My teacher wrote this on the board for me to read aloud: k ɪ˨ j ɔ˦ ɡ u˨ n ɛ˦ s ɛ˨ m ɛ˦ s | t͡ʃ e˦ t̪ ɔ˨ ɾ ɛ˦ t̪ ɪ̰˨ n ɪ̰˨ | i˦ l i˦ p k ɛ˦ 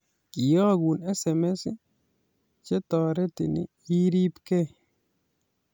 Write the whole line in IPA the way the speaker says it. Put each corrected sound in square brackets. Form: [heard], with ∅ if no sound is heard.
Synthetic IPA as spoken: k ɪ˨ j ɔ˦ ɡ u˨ n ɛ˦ s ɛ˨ m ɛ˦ s | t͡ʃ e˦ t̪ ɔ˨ ɾ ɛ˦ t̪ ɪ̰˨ n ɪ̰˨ | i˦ [ɾ] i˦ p k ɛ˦